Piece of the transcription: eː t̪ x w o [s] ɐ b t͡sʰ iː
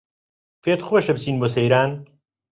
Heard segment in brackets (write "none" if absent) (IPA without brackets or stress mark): ʃ